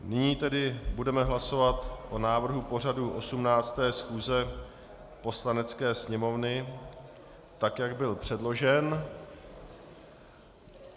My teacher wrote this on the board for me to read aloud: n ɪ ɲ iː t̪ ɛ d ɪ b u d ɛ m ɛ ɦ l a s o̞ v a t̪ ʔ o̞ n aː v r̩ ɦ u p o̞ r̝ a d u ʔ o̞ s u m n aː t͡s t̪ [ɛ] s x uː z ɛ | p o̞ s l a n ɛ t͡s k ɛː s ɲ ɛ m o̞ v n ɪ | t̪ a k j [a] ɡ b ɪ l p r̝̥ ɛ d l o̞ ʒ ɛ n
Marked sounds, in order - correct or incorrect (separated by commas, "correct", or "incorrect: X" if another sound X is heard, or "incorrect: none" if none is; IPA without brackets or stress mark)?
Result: incorrect: ɛː, correct